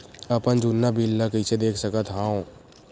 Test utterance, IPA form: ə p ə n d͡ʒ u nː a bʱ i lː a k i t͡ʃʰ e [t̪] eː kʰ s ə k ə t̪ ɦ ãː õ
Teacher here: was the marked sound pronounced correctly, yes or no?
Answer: no